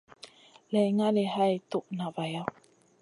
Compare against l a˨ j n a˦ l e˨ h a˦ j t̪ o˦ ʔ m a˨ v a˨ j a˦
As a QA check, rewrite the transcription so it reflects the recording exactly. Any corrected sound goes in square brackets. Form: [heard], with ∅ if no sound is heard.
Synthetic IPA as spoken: l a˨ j [ŋ] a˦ l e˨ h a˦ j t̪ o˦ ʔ [n] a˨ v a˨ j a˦